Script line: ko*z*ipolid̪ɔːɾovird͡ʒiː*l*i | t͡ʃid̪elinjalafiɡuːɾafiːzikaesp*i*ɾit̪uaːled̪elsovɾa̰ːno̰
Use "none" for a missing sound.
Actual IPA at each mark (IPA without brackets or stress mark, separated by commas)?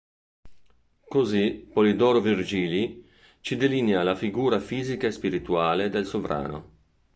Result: z, l, i